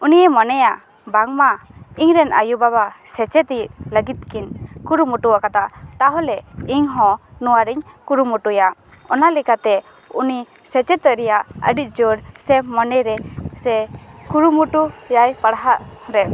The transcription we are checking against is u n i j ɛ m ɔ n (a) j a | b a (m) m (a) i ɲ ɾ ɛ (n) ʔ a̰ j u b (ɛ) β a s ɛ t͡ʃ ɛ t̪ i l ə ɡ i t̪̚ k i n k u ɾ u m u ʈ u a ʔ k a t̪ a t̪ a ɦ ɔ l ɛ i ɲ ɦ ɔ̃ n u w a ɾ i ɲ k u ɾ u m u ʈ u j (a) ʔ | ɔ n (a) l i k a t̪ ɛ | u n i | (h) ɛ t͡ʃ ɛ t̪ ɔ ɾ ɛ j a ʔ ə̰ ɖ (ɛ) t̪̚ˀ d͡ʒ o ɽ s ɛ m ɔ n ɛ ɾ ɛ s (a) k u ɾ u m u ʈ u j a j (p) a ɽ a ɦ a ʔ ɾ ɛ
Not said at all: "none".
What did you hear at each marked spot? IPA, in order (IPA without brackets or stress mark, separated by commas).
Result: ɛ, ŋ, a, n, a, a, a, s, i, ɛ, p